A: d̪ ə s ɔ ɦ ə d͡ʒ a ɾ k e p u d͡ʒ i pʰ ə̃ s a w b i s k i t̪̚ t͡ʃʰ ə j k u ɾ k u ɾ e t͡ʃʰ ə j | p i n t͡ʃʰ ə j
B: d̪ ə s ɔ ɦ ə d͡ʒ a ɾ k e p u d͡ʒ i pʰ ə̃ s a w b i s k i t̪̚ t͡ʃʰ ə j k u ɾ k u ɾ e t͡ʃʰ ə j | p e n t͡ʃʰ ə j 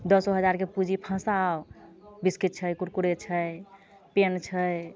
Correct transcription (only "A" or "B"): B